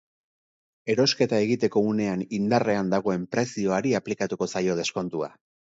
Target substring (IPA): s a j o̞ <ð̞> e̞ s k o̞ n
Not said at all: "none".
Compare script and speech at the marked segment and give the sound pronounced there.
ð̞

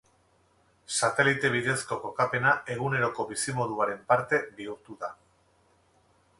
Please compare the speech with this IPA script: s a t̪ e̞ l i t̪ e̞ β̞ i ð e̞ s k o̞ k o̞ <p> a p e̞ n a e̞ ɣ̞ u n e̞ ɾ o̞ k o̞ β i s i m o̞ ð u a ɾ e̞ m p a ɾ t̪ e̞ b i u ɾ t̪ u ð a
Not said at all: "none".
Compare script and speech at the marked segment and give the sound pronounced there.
k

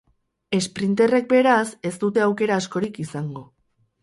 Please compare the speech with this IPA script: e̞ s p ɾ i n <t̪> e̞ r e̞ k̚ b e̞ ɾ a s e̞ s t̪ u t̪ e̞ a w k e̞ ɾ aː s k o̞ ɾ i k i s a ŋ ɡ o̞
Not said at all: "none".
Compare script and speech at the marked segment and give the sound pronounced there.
t̪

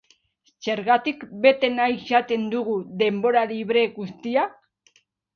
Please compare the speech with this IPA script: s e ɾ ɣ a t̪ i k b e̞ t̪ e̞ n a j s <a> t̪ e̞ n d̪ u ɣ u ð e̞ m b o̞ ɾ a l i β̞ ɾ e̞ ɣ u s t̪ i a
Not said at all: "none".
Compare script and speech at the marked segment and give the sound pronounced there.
a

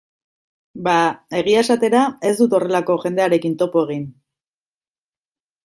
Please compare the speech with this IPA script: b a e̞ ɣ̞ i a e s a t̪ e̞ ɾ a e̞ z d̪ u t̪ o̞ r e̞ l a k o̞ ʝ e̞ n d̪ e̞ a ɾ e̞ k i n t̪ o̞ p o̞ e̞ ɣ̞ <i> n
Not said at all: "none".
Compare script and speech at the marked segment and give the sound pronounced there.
i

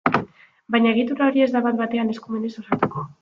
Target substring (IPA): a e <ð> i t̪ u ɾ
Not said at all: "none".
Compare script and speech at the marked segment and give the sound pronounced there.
ɣ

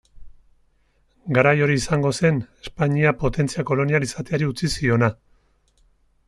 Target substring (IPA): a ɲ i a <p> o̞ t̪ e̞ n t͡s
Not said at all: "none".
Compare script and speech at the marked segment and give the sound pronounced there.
p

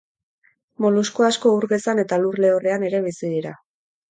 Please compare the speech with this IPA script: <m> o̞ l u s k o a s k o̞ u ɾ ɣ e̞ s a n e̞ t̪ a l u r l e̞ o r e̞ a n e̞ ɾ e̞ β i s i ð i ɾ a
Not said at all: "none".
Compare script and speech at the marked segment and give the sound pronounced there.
m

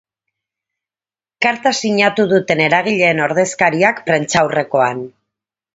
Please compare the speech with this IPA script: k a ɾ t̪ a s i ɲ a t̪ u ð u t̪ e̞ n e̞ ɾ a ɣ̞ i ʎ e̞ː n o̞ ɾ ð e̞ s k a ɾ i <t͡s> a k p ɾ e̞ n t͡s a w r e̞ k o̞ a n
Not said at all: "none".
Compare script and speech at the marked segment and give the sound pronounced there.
none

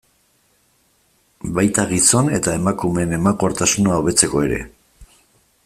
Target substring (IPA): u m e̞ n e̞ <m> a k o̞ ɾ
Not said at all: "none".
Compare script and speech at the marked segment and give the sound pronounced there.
m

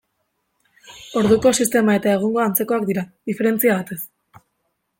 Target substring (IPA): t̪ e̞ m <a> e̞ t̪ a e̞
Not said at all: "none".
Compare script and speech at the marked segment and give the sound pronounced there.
a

